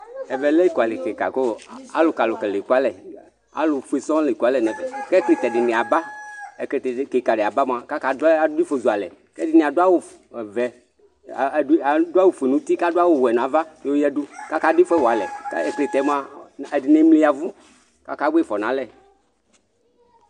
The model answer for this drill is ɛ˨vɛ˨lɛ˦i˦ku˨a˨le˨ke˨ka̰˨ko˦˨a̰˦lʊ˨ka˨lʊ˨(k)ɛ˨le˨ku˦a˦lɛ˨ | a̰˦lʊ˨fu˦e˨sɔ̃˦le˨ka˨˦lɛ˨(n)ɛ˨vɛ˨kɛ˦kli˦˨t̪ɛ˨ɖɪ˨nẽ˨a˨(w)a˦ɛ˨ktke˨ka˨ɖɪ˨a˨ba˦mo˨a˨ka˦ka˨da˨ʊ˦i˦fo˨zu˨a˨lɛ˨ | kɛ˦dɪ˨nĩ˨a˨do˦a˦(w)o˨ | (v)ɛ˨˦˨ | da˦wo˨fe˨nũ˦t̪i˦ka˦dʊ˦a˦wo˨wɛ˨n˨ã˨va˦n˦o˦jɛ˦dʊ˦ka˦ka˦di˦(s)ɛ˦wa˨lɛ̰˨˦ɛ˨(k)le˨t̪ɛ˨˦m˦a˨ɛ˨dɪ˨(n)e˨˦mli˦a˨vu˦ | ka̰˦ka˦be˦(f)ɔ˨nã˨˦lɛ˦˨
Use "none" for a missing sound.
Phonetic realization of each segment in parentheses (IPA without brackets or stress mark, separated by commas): k, n, b, w, v, f, k, n, f